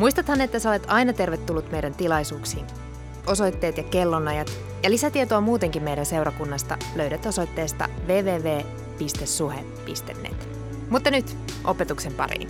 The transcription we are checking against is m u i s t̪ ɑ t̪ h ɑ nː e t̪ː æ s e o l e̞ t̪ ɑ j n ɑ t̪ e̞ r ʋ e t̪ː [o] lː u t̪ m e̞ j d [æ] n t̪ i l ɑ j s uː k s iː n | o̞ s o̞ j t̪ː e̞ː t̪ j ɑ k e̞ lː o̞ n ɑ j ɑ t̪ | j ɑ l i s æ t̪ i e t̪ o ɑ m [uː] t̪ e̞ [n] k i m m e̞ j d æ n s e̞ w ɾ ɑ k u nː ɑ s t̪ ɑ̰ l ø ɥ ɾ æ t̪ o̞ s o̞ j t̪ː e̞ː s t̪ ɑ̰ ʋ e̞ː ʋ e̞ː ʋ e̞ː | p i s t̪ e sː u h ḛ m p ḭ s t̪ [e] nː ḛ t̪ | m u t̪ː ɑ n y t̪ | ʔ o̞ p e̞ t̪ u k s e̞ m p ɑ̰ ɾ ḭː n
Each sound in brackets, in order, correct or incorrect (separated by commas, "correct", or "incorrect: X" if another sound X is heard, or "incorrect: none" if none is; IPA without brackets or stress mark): incorrect: u, correct, correct, incorrect: ŋ, correct